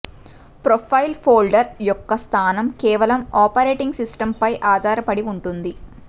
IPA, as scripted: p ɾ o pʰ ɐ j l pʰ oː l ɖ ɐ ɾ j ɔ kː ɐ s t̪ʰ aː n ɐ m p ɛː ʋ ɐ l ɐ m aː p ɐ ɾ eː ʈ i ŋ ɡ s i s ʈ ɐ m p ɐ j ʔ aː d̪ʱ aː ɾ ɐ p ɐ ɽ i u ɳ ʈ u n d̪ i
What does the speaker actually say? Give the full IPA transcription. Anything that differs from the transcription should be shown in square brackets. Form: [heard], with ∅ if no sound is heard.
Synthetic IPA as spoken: p ɾ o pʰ ɐ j l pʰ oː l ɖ ɐ ɾ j ɔ kː ɐ s t̪ʰ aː n ɐ m [k] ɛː ʋ ɐ l ɐ m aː p ɐ ɾ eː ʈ i ŋ ɡ s i s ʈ ɐ m p ɐ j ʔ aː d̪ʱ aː ɾ ɐ p ɐ ɽ i u ɳ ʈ u n d̪ i